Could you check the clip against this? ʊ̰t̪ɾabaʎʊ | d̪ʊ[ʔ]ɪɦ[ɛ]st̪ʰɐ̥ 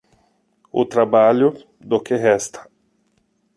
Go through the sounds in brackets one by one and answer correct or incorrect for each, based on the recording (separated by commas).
incorrect, correct